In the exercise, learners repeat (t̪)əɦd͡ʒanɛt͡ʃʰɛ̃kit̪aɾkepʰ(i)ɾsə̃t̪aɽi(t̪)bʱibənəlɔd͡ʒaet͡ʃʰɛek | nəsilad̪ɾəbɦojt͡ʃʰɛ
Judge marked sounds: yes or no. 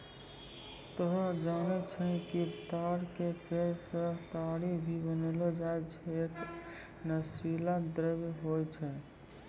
yes, no, no

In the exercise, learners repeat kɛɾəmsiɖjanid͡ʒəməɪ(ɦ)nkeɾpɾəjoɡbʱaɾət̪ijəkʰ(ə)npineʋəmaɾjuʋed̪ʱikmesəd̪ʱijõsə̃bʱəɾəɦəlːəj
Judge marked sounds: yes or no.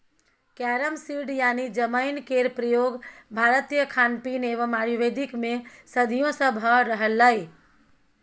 no, no

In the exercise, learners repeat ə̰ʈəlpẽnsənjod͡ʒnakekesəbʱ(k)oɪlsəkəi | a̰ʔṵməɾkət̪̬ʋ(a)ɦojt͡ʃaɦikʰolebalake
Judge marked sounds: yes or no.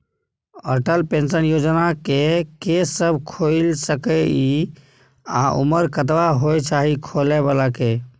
no, yes

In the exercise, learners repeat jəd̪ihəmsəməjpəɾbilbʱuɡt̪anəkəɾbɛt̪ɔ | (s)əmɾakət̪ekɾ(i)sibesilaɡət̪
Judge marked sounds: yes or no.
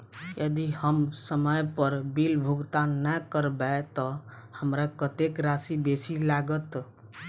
no, no

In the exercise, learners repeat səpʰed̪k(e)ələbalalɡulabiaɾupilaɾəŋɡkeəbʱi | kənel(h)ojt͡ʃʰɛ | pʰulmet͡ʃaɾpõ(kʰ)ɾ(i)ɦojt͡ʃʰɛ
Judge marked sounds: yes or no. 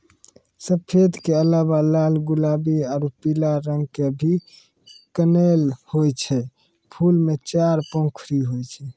yes, yes, yes, yes

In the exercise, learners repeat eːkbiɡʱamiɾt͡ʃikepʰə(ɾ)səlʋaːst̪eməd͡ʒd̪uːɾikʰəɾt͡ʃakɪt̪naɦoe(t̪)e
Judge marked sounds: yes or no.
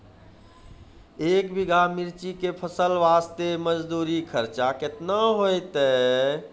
no, yes

